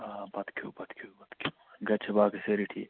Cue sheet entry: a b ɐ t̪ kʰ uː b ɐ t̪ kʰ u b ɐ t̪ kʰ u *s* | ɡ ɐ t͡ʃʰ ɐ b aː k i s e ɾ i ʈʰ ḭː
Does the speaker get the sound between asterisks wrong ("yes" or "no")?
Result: yes